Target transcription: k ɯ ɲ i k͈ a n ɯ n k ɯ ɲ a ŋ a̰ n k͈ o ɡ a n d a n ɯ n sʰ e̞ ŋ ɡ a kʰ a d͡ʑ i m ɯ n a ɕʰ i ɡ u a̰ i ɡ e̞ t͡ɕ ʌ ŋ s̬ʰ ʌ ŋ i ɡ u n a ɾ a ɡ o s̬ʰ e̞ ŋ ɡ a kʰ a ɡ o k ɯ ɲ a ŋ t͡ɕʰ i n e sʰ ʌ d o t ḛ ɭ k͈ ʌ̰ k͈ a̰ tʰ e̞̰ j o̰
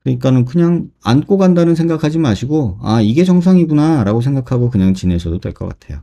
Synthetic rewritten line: k ɯ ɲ i k͈ a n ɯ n k ɯ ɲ a ŋ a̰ n k͈ o ɡ a n d a n ɯ n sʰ e̞ ŋ ɡ a kʰ a d͡ʑ i m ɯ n a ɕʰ i ɡ o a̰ i ɡ e̞ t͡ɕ ʌ ŋ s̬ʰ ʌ ŋ i ɡ u n a ɾ a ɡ o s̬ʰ e̞ ŋ ɡ a kʰ a ɡ o k ɯ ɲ a ŋ t͡ɕ i n e sʰ ʌ d o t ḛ ɭ k͈ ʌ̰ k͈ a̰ tʰ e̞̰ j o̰